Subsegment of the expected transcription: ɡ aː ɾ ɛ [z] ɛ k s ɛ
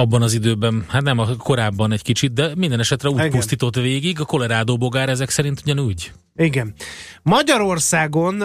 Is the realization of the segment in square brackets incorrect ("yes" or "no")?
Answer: no